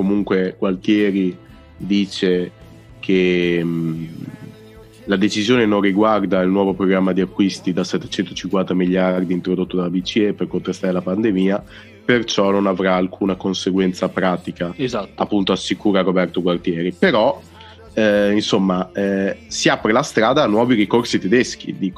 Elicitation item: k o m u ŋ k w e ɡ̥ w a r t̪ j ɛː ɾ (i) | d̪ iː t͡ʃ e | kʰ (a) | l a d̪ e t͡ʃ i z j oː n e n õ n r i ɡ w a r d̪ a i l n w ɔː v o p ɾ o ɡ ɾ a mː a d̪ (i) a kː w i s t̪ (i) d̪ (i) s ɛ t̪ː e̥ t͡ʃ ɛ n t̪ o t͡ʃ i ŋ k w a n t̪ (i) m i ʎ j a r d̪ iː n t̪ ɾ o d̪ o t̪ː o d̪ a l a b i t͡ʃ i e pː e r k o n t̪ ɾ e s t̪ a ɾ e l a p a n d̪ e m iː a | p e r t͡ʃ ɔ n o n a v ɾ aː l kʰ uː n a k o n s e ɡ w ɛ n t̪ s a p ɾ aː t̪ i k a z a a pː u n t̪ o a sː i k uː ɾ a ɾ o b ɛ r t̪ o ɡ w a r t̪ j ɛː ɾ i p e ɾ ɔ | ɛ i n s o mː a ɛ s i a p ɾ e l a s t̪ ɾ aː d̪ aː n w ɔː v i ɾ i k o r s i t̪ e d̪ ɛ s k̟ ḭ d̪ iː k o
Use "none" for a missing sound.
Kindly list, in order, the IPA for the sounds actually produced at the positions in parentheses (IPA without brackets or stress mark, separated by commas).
i, e, i, i, a, a